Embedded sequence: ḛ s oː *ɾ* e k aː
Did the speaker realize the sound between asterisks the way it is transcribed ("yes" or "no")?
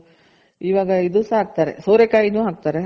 yes